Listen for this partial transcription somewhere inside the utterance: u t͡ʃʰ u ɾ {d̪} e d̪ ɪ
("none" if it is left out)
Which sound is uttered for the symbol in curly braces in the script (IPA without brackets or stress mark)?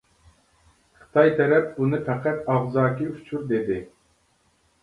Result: d̪